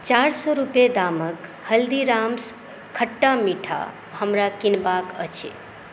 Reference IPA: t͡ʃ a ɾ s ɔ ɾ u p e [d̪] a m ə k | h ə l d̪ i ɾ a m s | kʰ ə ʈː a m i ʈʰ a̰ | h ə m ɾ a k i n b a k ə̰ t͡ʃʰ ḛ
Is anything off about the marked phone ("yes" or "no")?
no